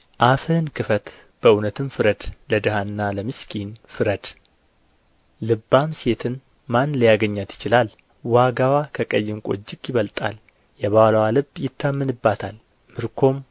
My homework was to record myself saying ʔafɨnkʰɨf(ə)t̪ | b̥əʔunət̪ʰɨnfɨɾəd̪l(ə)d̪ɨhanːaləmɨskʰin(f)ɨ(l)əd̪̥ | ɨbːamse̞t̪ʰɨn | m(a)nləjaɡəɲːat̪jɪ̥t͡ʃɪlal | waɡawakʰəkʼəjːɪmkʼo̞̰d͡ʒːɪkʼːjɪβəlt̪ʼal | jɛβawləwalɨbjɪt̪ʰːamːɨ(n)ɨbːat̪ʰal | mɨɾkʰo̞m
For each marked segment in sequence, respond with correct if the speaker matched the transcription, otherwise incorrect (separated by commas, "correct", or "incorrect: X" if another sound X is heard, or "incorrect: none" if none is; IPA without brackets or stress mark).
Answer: correct, correct, correct, incorrect: ɾ, correct, correct